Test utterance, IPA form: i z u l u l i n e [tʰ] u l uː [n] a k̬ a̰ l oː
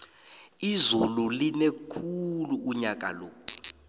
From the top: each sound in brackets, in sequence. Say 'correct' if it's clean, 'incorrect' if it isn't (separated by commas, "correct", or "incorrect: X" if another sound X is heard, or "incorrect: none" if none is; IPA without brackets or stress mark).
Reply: incorrect: kʰ, incorrect: ɲ